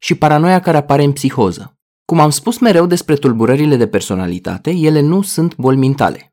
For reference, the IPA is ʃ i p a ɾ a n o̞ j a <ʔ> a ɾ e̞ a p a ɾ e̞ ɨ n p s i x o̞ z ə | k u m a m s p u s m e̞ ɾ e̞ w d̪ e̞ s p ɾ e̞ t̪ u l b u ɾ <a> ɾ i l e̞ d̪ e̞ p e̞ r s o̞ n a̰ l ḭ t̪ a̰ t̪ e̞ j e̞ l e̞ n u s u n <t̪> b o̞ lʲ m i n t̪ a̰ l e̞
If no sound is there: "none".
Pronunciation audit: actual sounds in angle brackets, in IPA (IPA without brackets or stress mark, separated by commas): k, ə, t̪